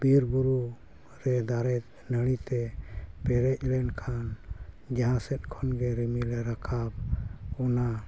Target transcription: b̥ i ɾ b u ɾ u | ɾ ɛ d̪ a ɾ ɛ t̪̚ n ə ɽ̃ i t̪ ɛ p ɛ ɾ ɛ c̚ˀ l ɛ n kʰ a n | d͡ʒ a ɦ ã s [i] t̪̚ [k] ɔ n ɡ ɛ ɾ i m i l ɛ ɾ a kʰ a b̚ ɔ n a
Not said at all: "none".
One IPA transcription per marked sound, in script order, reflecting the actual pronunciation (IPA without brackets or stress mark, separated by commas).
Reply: ɛ, kʰ